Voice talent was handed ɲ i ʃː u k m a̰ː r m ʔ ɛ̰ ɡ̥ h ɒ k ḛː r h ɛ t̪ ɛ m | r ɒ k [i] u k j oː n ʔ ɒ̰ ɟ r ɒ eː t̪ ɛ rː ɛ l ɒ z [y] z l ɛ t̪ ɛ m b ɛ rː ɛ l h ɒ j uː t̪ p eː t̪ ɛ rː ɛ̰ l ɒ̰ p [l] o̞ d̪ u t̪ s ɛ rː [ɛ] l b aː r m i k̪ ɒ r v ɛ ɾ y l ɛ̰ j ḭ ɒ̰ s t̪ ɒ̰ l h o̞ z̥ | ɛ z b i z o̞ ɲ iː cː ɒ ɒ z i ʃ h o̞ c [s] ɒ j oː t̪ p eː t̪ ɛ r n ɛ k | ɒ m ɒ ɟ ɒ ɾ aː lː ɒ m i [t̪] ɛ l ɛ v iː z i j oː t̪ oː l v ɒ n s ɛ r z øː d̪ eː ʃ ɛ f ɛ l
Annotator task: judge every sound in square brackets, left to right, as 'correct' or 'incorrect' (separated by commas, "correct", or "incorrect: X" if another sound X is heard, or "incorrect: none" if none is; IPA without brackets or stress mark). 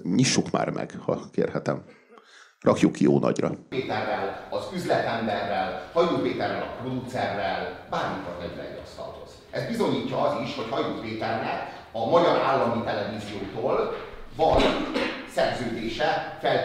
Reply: incorrect: j, correct, incorrect: r, correct, incorrect: h, correct